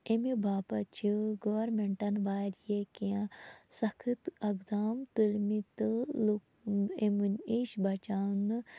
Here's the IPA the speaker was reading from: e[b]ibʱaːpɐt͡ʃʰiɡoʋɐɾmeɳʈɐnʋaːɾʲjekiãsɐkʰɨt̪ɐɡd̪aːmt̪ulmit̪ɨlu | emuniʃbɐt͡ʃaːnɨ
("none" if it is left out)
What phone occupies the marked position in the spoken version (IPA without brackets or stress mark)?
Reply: m